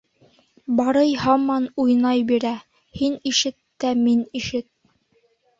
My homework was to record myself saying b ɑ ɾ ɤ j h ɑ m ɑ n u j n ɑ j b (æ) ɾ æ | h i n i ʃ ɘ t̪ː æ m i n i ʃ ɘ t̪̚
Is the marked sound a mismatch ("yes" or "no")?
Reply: yes